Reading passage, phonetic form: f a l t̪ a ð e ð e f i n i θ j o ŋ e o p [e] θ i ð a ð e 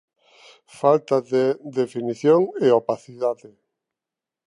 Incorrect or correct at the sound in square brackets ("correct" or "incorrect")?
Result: incorrect